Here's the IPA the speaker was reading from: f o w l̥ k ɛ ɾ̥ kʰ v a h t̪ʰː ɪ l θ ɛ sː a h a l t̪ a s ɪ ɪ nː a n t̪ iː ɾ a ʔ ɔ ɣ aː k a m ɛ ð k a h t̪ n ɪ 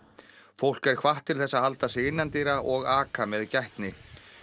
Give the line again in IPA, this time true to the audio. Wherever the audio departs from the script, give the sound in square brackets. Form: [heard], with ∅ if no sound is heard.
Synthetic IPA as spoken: f o w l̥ k ɛ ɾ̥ kʰ v a h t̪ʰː ɪ l θ ɛ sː a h a l t̪ a s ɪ ɪ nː a n t̪ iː ɾ a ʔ ɔ ɣ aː k a m ɛ ð [c] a h t̪ n ɪ